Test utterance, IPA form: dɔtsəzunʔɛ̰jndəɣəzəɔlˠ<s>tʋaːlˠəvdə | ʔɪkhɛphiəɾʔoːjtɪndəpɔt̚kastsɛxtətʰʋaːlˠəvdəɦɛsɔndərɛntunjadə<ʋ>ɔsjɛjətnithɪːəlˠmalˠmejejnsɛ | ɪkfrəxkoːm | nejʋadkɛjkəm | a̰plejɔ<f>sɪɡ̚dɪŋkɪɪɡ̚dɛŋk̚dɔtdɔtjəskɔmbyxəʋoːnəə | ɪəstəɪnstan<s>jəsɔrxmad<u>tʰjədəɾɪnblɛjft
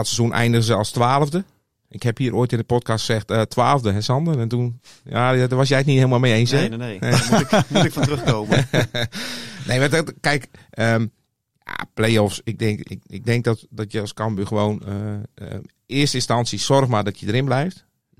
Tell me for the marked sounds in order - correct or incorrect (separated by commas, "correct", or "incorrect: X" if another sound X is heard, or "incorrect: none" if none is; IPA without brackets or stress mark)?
correct, correct, correct, correct, incorrect: ɔ